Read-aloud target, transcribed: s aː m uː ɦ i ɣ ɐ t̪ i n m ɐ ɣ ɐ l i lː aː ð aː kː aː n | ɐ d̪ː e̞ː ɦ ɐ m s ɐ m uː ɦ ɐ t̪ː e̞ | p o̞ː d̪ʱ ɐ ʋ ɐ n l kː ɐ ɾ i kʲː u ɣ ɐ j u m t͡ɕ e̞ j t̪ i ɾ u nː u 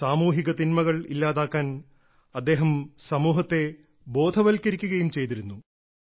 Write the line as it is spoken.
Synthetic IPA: s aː m uː ɦ i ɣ ɐ t̪ i n m ɐ ɣ ɐ ɭ i lː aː ð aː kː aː n | ɐ d̪ː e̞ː ɦ ɐ m s ɐ m uː ɦ ɐ t̪ː e̞ | b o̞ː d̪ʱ ɐ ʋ ɐ l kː ɐ ɾ i kʲː u ɣ ɐ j u m t͡ɕ e̞ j t̪ i ɾ u nː u